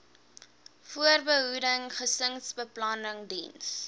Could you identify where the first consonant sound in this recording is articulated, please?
labial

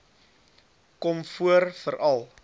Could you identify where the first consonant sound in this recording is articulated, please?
velar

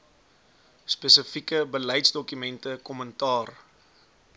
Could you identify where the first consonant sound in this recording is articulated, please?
alveolar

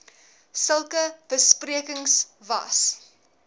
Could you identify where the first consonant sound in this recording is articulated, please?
alveolar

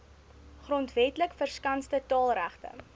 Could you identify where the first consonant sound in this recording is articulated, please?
uvular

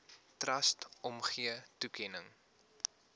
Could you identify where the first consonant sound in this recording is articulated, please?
alveolar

